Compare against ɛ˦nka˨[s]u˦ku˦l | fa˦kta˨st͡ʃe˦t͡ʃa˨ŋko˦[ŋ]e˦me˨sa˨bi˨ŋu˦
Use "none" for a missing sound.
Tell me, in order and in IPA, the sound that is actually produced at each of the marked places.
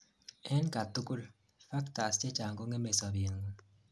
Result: t, ŋ

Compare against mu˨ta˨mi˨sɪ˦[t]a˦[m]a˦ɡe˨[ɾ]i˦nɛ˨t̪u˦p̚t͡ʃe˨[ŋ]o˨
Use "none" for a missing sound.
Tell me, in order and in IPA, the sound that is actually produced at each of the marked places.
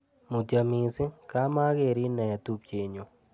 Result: k, m, ɾ, ɲ

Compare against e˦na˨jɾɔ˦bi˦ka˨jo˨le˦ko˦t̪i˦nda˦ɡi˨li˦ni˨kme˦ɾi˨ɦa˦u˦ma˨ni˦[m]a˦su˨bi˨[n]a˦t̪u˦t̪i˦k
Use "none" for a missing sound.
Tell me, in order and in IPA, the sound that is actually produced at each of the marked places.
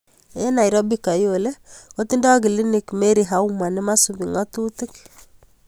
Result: m, ŋ

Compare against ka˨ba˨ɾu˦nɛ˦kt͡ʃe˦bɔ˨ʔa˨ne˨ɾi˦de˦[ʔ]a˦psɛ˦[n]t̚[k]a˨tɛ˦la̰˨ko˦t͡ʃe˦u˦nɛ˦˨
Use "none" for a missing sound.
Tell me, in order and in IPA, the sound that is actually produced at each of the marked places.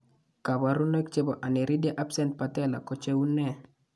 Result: ʔ, n, p

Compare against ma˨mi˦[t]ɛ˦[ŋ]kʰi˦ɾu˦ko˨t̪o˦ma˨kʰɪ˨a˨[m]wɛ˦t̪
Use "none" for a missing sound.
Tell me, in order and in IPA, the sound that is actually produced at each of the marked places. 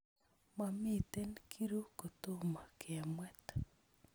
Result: t, n, m

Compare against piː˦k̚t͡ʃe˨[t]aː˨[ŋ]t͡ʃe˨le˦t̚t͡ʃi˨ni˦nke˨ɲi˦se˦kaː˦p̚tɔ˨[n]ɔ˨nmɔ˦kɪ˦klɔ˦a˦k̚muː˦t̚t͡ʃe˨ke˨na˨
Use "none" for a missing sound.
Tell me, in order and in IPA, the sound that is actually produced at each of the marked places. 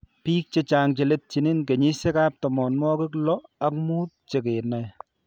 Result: t͡ʃ, ŋ, m

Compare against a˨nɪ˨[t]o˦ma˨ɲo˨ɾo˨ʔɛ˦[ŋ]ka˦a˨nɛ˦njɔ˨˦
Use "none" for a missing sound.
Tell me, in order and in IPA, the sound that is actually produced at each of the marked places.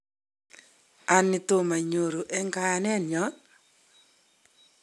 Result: t, ŋ

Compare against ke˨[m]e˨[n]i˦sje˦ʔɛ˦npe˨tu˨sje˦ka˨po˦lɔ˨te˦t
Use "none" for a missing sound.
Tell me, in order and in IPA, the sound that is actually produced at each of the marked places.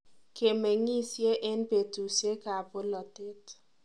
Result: m, ŋ

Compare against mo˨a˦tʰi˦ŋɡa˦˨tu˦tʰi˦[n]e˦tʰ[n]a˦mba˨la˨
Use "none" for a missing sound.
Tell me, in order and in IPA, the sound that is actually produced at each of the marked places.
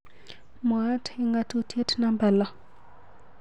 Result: none, n

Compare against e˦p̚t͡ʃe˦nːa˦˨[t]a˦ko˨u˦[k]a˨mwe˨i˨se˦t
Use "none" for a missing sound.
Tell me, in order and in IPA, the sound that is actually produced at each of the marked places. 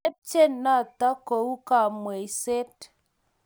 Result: t, k

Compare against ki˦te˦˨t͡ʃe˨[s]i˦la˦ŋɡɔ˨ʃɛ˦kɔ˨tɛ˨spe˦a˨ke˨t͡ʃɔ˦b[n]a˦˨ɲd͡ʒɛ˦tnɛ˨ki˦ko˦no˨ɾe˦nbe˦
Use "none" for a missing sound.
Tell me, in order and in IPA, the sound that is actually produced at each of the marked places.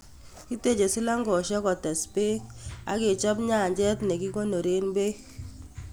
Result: s, ɲ

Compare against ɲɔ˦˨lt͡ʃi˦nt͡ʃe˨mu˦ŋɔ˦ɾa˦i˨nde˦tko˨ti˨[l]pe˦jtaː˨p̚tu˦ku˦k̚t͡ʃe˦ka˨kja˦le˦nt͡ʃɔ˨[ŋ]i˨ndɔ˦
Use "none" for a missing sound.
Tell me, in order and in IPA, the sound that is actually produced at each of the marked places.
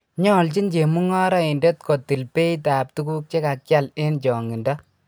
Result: l, ŋ

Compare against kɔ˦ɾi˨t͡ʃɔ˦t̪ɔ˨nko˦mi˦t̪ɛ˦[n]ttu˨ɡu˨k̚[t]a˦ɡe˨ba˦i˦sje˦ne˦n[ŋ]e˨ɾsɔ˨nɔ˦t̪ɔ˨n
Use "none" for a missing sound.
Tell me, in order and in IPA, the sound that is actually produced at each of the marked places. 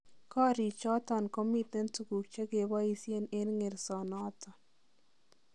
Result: n, t͡ʃ, ŋ

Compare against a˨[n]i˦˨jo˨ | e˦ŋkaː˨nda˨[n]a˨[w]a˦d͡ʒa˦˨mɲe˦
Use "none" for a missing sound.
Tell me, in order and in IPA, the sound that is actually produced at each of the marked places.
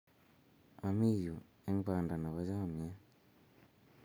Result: m, n, β

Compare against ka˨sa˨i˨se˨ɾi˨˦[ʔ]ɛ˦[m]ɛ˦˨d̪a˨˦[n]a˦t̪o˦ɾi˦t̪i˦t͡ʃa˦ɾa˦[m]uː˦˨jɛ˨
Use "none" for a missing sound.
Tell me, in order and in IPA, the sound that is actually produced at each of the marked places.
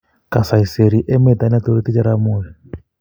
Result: ʔ, m, n, m

